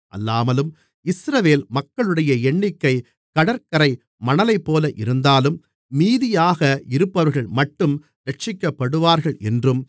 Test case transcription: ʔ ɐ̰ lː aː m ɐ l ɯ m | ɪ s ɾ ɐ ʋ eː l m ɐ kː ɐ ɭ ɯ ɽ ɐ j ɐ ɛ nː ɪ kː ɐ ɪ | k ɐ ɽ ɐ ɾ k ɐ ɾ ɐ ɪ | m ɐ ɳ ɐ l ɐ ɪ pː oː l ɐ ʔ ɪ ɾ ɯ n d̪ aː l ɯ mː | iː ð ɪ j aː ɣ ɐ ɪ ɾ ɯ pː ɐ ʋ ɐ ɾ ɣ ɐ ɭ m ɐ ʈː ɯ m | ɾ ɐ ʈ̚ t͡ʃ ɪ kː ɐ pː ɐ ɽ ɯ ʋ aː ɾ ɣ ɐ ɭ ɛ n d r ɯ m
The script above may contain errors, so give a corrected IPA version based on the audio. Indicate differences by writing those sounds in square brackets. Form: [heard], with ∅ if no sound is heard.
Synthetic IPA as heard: ʔ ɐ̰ lː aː m ɐ l ɯ m | ɪ s ɾ ɐ ʋ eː l m ɐ kː ɐ ɭ ɯ ɽ ɐ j ɐ ɛ [ɳː] ɪ kː ɐ ɪ | k ɐ ɽ ɐ ɾ k ɐ ɾ ɐ ɪ | m ɐ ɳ ɐ l ɐ ɪ pː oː l ɐ ʔ ɪ ɾ ɯ n d̪ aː l ɯ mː | iː ð ɪ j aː ɣ ɐ ɪ ɾ ɯ pː ɐ ʋ ɐ ɾ ɣ ɐ ɭ m ɐ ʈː ɯ m | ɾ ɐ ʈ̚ t͡ʃ ɪ kː ɐ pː ɐ ɽ ɯ ʋ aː ɾ ɣ ɐ ɭ ɛ n d r ɯ m